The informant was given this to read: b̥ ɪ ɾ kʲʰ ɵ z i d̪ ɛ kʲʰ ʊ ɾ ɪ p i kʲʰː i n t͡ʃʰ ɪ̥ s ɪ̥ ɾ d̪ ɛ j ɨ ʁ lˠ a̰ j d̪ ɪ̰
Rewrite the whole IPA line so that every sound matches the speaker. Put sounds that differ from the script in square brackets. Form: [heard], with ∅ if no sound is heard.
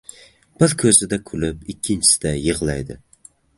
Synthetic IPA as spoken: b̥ ɪ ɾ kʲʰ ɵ z [ɪ] d̪ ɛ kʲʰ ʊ [l] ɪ p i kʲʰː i n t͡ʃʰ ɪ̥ s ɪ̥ [∅] d̪ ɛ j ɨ ʁ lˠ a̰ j d̪ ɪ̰